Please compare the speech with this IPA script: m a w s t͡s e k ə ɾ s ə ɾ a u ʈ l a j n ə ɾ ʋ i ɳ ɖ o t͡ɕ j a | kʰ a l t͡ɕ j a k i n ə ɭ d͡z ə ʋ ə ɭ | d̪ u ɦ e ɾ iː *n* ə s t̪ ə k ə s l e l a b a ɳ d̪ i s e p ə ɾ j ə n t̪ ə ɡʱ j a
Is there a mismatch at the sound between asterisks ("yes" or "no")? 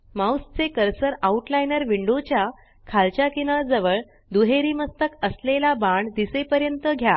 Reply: yes